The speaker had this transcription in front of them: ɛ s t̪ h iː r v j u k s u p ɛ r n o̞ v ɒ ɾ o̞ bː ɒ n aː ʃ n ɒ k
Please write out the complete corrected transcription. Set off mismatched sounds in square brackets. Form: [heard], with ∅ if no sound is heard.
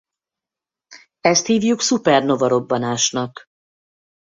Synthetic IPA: ɛ s t̪ h iː [∅] v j u k s u p ɛ r n o̞ v ɒ ɾ o̞ bː ɒ n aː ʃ n ɒ k